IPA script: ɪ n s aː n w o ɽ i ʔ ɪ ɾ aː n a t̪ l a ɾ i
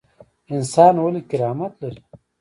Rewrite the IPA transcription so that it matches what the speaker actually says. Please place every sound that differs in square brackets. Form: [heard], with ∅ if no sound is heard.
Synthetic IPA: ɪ n s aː n w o [l] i [k] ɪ ɾ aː [m] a t̪ l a ɾ i